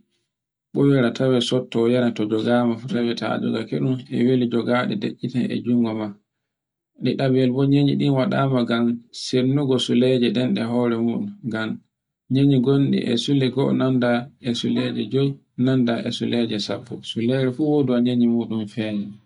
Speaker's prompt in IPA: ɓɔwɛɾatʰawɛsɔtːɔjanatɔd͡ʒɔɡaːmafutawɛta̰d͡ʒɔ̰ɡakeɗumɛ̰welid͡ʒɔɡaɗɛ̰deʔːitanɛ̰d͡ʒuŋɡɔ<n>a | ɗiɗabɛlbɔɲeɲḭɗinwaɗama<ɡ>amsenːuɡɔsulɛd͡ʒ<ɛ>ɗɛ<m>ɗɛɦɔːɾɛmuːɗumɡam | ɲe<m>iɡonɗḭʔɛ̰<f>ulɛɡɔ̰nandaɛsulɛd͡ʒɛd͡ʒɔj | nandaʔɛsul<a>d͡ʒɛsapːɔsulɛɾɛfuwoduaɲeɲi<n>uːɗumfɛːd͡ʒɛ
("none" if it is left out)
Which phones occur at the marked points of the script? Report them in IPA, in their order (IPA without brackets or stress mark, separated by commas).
m, ɡ, ɛ, n, ɲ, s, ɛ, m